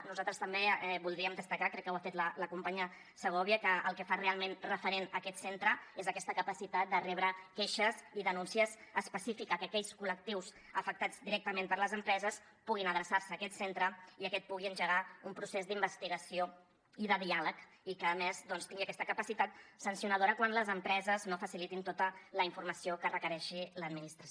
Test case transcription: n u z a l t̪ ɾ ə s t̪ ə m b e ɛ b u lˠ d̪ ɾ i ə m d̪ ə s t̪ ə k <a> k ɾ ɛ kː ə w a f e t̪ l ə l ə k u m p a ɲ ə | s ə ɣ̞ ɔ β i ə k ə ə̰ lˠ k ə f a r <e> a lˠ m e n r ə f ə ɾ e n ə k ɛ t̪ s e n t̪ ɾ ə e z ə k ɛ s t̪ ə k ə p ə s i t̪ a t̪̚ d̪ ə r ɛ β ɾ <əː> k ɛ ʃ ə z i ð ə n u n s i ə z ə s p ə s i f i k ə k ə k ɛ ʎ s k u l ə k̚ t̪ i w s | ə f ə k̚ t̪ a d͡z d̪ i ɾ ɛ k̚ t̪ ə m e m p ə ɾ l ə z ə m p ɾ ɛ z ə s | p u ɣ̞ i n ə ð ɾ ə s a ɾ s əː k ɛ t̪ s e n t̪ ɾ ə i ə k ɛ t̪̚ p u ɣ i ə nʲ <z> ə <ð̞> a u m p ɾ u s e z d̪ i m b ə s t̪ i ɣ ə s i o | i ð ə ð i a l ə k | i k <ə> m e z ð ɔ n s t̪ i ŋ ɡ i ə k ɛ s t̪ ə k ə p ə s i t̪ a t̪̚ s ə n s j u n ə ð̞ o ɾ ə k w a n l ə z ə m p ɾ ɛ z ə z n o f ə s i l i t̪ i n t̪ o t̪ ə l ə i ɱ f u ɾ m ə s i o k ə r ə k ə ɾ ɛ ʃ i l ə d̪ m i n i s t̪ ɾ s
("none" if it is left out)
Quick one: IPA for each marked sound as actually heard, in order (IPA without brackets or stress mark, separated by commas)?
a, e, ə, ʒ, ɣ̞, əː